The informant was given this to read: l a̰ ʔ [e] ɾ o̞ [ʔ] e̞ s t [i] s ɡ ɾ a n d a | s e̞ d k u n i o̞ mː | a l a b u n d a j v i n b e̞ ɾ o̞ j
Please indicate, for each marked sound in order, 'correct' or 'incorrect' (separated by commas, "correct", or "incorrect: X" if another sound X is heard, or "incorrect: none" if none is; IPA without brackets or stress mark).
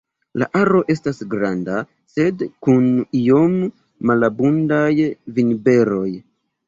incorrect: a, correct, incorrect: a